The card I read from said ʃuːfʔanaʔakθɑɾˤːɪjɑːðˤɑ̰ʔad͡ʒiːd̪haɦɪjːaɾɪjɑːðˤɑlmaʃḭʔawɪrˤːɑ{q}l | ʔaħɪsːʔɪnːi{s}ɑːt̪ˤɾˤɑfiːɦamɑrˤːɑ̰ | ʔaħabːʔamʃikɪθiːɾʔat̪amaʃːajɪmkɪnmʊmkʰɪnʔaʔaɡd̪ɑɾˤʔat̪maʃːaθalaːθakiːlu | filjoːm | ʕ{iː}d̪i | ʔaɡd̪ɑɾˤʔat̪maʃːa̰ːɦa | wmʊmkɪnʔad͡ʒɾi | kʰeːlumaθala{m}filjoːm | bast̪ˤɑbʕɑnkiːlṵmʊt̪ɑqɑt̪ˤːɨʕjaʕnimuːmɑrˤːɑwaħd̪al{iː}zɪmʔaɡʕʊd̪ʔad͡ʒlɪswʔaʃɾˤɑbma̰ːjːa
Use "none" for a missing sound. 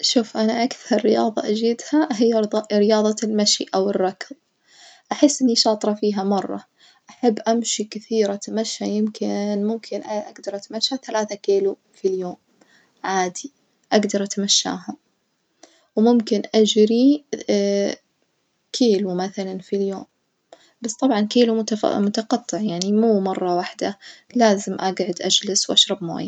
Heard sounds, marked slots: k, ʃ, aː, n, aː

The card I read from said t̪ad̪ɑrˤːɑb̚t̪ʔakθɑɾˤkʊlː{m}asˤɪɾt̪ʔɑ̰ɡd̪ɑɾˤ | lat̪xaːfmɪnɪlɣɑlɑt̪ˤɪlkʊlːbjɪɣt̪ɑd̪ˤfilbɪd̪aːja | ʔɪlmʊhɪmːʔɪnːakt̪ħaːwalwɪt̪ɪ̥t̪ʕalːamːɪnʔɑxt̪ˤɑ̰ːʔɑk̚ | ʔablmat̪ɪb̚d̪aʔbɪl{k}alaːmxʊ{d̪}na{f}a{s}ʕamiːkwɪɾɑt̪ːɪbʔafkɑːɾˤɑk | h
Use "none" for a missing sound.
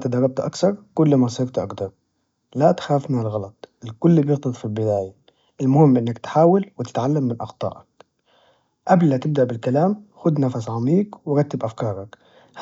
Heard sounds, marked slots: m, k, d̪, f, s

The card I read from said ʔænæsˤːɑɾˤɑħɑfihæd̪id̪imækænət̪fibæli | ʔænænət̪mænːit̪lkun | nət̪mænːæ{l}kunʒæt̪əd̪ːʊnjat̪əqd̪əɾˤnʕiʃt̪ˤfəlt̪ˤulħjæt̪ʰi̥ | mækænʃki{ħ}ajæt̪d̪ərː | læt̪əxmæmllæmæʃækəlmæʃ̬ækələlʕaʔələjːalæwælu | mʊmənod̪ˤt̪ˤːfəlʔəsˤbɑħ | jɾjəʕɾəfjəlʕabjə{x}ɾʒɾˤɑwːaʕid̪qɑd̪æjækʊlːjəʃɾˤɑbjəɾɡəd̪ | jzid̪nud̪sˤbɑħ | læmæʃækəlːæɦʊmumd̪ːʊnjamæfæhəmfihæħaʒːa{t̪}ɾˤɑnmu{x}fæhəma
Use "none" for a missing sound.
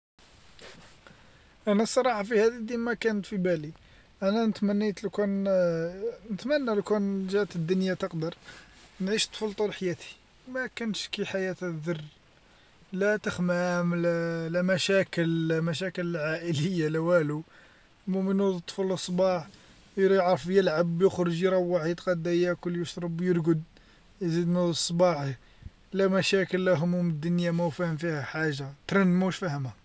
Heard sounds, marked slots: l, ħ, x, t̪, ʃ

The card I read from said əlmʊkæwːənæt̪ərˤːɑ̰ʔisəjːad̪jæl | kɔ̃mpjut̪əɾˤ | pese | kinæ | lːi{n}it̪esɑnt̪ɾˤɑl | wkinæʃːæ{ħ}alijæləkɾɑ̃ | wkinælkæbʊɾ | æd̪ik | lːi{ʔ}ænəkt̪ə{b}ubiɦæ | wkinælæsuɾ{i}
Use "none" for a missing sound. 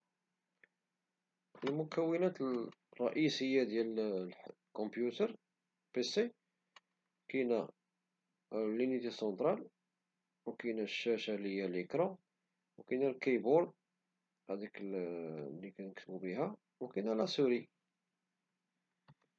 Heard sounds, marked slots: n, ʃ, k, b, i

